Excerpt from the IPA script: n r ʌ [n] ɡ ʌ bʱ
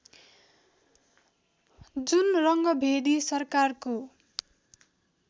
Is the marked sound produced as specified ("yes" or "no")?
no